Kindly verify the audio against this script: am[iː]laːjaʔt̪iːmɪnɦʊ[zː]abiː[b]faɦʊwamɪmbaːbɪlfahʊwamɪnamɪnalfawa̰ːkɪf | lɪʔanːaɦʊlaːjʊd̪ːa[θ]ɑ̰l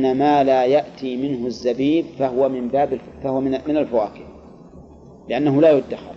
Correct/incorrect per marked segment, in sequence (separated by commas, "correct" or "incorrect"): incorrect, correct, correct, incorrect